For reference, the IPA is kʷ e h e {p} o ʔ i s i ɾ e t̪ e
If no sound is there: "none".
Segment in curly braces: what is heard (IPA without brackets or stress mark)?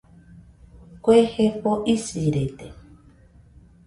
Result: p